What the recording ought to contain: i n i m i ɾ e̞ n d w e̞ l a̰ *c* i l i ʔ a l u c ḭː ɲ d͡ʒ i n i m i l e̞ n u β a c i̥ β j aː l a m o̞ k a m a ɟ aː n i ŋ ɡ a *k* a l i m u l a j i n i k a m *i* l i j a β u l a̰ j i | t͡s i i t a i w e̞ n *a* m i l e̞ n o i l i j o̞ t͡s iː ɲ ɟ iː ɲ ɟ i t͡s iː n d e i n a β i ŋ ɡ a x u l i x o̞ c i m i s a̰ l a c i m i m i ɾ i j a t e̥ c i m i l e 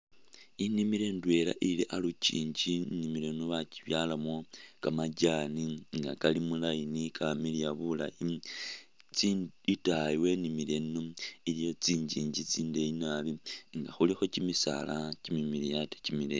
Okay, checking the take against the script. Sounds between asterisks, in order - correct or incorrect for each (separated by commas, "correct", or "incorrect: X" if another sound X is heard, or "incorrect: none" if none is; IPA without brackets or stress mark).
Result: incorrect: ʔ, correct, correct, incorrect: i